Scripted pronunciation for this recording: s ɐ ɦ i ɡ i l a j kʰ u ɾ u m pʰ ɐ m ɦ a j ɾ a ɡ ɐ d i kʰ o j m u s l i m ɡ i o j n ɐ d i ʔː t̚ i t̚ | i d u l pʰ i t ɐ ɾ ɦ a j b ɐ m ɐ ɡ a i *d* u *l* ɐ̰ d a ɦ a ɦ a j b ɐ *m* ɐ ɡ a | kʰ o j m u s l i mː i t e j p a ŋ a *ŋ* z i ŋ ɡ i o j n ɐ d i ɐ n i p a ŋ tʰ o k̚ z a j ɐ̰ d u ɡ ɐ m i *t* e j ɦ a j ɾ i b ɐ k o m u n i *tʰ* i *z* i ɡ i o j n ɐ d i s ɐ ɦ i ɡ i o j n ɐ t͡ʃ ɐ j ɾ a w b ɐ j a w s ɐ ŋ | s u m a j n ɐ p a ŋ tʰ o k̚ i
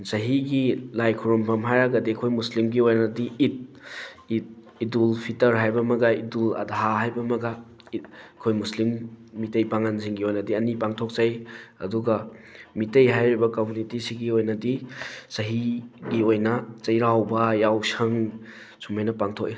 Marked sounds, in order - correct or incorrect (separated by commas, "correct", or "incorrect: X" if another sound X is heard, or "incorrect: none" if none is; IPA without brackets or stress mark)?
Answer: correct, correct, correct, incorrect: n, correct, incorrect: t, incorrect: s